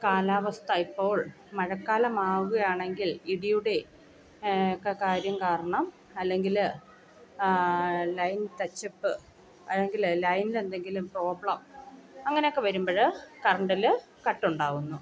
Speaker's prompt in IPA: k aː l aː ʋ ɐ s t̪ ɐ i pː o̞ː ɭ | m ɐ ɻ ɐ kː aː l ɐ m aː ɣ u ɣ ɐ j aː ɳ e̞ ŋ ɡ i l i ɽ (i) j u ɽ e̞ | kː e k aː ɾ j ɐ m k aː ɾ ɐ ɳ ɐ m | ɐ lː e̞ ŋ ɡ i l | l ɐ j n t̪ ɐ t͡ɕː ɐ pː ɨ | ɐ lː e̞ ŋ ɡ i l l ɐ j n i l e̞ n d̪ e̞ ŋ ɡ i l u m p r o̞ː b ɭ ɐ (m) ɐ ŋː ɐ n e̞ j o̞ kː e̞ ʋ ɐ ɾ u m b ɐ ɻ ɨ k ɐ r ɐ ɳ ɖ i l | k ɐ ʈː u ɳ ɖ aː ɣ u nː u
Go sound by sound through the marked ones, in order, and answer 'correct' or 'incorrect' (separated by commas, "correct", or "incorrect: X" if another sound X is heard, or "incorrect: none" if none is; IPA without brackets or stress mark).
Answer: correct, correct